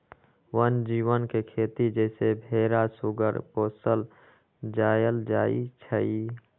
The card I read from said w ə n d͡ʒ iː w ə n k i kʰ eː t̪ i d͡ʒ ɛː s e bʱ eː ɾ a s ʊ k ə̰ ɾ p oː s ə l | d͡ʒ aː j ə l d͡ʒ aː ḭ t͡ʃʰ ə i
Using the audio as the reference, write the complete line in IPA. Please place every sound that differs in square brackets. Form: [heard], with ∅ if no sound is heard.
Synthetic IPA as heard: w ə n d͡ʒ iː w ə n k [e] kʰ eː t̪ i d͡ʒ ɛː s e bʱ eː ɾ a s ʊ [ɡ] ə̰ ɾ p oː s ə l | d͡ʒ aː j ə l d͡ʒ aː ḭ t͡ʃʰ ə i